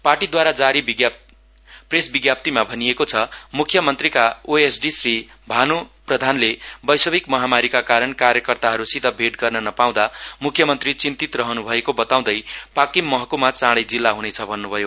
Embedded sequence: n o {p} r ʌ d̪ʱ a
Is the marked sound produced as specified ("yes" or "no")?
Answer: yes